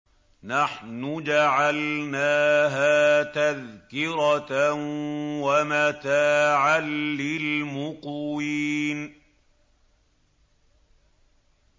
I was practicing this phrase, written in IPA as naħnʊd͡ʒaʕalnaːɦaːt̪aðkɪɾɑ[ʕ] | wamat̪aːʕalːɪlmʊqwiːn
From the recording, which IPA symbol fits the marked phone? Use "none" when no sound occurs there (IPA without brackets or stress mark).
none